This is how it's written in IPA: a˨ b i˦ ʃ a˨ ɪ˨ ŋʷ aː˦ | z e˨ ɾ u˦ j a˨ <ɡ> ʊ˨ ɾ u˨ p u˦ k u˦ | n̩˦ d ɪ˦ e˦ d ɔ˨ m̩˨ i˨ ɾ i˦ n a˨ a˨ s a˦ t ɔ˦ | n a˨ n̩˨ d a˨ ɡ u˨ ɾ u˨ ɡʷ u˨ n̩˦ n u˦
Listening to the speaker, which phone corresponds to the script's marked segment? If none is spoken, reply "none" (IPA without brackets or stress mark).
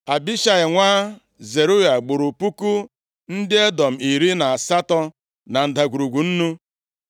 ɡ͡b